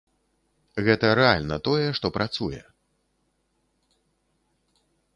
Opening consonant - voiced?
yes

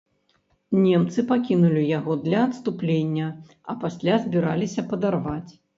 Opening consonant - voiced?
yes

